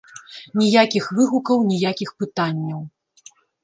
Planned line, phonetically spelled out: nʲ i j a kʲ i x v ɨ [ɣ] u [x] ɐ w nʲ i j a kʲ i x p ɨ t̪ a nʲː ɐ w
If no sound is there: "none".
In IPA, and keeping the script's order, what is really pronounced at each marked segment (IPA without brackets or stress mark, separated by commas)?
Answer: ɣ, k